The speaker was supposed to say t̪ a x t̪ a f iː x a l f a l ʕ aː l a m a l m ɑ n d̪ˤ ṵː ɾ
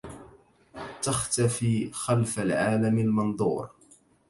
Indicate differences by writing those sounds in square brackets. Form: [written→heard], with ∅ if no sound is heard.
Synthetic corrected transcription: t̪ a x t̪ a f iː x a l f a l ʕ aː l a m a l m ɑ n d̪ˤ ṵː ɾ

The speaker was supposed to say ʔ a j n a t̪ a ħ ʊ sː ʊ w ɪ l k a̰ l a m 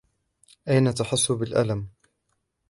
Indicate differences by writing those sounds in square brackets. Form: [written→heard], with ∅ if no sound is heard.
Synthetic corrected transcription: ʔ a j n a t̪ a ħ ʊ sː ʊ [w→b] ɪ l [k→ʔ] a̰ l a m

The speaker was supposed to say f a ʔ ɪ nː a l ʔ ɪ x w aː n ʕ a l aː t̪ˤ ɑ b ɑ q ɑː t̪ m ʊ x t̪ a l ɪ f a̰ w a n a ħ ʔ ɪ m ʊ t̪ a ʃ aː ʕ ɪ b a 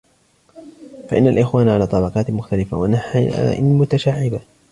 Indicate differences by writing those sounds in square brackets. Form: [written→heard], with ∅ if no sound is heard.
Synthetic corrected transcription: f a ʔ ɪ nː a l ʔ ɪ x w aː n ʕ a l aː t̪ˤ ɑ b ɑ q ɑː t̪ m ʊ x t̪ a l ɪ f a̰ w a n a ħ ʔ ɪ m ʊ t̪ a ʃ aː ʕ ɪ b a

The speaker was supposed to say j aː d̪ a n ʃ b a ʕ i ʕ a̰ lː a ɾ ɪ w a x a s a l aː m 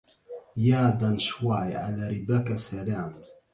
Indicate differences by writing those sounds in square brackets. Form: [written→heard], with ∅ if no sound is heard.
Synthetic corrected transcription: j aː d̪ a n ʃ [b→w] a ʕ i ʕ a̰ [lː→l] a ɾ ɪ [w→b] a [x→k] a s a l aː m

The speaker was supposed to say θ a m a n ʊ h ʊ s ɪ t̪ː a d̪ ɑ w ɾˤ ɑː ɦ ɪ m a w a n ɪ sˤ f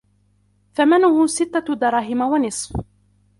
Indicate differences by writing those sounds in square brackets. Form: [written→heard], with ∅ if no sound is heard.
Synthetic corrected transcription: θ a m a n ʊ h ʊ s ɪ t̪ː a d̪ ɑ [w→∅] ɾˤ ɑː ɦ ɪ m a w a n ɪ sˤ f

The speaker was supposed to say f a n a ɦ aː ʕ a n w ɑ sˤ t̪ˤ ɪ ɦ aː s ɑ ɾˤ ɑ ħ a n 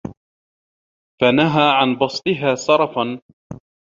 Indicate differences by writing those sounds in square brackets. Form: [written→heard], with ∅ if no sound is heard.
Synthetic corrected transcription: f a n a ɦ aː ʕ a n [w→b] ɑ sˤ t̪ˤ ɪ ɦ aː s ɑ ɾˤ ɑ [ħ→f] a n

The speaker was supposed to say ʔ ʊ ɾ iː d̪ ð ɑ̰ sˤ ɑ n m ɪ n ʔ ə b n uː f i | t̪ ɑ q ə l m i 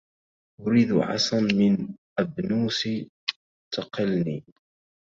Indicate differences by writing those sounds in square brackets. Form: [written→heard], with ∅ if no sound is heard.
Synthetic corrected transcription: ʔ ʊ ɾ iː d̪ [ð→ʕ] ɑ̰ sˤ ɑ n m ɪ n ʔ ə b n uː [f→s] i | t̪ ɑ q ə l [m→n] i

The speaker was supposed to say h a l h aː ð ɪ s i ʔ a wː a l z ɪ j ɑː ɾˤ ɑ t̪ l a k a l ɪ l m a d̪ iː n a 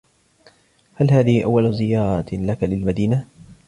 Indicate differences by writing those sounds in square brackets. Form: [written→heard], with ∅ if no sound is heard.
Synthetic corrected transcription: h a l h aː ð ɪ [s→h] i ʔ a wː a l z ɪ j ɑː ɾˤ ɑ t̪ l a k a l ɪ l m a d̪ iː n a

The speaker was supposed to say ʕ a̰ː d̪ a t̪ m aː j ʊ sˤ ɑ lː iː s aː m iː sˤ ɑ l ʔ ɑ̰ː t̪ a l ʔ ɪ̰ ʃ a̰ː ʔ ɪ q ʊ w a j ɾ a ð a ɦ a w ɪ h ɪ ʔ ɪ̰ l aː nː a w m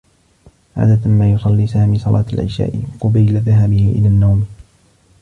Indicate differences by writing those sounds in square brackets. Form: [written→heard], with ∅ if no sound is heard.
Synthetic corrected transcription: ʕ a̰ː d̪ a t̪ m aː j ʊ sˤ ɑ lː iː s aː m iː sˤ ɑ l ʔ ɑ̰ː t̪ a l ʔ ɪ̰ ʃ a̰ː ʔ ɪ q ʊ [w→b] a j [ɾ→l] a ð a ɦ a [w→b] ɪ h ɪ ʔ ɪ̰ l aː nː a w m

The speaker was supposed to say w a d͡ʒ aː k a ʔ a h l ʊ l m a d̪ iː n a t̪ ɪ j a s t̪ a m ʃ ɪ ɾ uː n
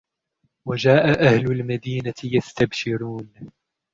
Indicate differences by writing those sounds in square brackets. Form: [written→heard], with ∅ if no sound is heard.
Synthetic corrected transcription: w a d͡ʒ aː [k→ʔ] a ʔ a h l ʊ l m a d̪ iː n a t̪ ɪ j a s t̪ a [m→b] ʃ ɪ ɾ uː n

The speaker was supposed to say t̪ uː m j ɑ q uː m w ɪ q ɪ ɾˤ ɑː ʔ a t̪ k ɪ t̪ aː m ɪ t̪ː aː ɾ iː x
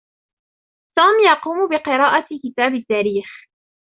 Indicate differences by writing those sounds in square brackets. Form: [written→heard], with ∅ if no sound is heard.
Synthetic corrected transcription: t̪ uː m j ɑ q uː m [w→b] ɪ q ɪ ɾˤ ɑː ʔ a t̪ k ɪ t̪ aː [m→b] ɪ t̪ː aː ɾ iː x

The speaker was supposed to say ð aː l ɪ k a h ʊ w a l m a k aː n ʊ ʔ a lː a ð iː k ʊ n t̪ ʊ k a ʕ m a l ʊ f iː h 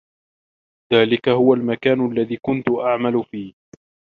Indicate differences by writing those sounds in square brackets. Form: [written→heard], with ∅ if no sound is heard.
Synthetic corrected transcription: ð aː l ɪ k a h ʊ w a l m a k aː n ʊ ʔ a lː a ð iː k ʊ n t̪ ʊ [k→ʔ] a ʕ m a l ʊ f iː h

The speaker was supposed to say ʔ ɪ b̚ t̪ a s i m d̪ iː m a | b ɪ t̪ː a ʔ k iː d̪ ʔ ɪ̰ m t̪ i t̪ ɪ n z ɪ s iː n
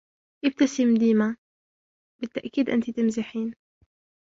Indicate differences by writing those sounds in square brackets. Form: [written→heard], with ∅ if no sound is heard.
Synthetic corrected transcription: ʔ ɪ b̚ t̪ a s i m d̪ iː m a | b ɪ t̪ː a ʔ k iː d̪ ʔ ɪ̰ [m→n] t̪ i t̪ ɪ [n→m] z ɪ [s→ħ] iː n

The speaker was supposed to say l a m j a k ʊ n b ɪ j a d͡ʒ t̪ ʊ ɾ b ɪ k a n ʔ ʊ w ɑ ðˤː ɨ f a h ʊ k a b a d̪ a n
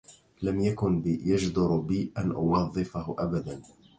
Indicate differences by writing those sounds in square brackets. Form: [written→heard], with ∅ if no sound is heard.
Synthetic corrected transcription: l a m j a k ʊ n b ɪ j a d͡ʒ [t̪→d̪] ʊ ɾ b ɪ [k→ʔ] a n ʔ ʊ w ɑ ðˤː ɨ f a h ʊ [k→ʔ] a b a d̪ a n

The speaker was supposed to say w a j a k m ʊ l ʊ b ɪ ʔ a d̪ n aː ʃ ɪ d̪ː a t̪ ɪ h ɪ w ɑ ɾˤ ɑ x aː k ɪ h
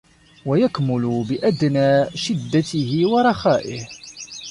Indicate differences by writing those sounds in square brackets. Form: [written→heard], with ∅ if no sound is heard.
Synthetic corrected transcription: w a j a k m ʊ l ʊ b ɪ ʔ a d̪ n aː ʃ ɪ d̪ː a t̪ ɪ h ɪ w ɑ ɾˤ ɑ x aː [k→ʔ] ɪ h

